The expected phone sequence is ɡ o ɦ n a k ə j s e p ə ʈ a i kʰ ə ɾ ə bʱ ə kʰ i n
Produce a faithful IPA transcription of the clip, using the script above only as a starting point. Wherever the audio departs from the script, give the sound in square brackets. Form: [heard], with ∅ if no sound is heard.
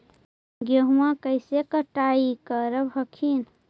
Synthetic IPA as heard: ɡ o ɦ [m] a k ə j s e [k] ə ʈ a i [k] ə ɾ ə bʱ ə kʰ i n